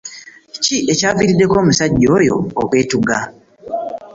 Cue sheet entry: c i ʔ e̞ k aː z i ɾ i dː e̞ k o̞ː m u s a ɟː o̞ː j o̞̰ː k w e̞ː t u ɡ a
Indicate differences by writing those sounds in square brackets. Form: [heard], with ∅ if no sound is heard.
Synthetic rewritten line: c i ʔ e̞ [c] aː [v] i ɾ i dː e̞ k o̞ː m u s a ɟː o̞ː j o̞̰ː k w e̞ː t u ɡ a